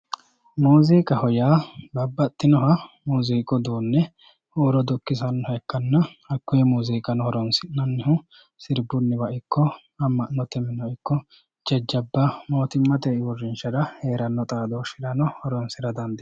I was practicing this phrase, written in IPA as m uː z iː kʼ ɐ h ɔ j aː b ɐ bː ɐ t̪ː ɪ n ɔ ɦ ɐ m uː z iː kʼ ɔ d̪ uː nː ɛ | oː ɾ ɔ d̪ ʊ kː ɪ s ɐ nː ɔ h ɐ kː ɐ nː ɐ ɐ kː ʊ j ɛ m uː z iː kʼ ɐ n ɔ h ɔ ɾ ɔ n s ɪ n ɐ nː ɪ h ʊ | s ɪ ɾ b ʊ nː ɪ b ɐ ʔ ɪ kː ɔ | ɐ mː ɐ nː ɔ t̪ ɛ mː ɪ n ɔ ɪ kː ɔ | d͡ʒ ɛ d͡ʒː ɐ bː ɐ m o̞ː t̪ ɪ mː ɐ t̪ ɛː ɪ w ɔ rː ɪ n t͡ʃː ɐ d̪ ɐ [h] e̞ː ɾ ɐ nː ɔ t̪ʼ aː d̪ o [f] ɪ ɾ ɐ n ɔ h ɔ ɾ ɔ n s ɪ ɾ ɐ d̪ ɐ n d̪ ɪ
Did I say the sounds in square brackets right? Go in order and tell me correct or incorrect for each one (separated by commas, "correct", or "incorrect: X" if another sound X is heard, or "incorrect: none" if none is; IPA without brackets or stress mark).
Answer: correct, incorrect: ʃ